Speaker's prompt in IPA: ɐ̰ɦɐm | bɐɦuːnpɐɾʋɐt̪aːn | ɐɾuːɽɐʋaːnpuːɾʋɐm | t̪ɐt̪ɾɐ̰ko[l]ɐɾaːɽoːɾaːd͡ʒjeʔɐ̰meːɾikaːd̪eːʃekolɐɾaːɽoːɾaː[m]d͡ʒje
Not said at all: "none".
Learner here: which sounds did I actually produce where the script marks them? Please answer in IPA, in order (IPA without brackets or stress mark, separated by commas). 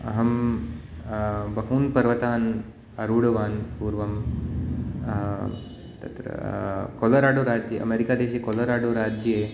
l, none